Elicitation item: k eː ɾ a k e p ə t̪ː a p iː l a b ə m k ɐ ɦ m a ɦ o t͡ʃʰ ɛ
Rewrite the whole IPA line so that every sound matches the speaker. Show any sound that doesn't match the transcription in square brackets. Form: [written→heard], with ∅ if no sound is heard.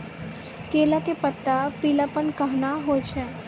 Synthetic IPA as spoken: k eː [ɾ→l] a k e p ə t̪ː a p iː l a [b→p] ə [m→n] k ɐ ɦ [m→n] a ɦ o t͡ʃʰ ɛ